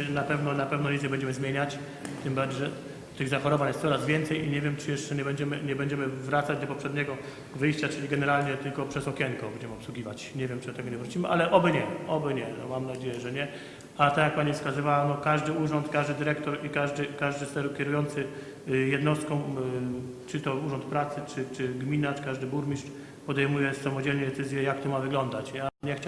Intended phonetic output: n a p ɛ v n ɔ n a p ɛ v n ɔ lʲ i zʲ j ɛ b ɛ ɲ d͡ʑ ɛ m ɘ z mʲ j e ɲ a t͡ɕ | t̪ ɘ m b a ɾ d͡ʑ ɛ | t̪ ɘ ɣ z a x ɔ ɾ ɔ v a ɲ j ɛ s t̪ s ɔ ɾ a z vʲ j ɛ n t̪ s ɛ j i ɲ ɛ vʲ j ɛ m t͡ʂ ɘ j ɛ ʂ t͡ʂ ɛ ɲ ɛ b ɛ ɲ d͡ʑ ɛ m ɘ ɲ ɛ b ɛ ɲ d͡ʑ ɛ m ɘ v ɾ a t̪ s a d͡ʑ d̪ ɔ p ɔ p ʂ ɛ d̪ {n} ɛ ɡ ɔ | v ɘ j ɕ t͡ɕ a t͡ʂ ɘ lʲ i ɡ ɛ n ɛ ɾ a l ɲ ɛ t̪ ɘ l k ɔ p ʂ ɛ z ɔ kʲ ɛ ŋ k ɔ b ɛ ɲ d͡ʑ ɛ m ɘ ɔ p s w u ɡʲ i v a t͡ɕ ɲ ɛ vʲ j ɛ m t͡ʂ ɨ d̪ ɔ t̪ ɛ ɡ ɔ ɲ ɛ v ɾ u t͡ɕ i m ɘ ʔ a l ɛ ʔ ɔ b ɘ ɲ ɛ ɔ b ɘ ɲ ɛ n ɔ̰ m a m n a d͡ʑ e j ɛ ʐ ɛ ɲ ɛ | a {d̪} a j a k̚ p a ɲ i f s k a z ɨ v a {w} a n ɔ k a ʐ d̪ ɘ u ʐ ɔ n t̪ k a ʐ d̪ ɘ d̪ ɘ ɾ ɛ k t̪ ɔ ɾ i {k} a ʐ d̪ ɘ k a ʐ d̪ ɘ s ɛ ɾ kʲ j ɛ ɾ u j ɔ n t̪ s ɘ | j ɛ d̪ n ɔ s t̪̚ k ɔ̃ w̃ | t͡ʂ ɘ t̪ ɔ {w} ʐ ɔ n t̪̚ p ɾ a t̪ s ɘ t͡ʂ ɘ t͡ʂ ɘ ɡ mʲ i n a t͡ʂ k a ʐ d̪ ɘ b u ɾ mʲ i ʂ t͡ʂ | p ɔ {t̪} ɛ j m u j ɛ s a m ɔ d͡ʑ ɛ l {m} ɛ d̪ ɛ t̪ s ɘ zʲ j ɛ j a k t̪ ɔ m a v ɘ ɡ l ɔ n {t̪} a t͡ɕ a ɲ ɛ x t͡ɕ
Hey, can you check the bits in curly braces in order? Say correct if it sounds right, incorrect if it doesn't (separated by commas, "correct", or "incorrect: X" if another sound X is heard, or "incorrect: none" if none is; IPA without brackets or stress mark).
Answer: incorrect: ɲ, incorrect: t̪, correct, correct, incorrect: u, incorrect: d̪, incorrect: ɲ, incorrect: d̪